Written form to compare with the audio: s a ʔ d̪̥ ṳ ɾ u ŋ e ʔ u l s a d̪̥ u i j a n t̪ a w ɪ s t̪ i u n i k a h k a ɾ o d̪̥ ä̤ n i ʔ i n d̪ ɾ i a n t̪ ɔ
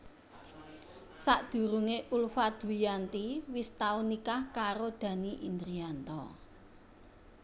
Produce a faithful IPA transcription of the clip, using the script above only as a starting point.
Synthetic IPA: s a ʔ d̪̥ ṳ ɾ u ŋ e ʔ u l f a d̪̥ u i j a n t̪ i w i s t̪ a u n i k a h k a ɾ o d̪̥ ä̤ n i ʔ i n d̪ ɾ i a n t̪ ɔ